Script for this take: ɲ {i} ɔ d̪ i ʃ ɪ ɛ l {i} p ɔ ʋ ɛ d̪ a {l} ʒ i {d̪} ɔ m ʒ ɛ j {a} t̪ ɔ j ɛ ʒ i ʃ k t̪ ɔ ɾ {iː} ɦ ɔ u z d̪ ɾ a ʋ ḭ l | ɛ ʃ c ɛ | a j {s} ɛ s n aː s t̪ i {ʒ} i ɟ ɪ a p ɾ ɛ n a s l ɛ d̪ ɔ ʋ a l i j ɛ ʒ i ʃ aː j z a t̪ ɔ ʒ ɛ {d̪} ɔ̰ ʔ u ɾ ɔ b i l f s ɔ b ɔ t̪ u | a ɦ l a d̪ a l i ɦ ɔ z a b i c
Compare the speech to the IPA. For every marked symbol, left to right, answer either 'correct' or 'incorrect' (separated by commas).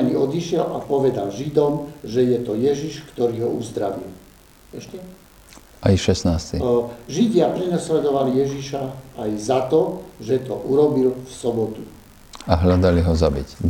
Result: correct, incorrect, correct, correct, incorrect, correct, incorrect, correct, incorrect